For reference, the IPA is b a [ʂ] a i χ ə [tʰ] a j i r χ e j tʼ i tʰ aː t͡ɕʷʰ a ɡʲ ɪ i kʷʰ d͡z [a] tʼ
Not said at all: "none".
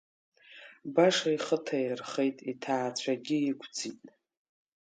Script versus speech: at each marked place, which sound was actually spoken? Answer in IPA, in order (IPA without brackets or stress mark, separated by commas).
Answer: ʂ, tʰ, i